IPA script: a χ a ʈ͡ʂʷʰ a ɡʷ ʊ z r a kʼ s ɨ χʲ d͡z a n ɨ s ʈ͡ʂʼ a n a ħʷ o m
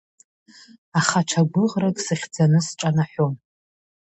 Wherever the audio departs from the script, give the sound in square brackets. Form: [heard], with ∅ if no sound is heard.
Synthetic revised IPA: a χ a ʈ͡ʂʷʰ a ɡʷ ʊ [ʁ] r a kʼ s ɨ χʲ d͡z a n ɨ s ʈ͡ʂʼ a n a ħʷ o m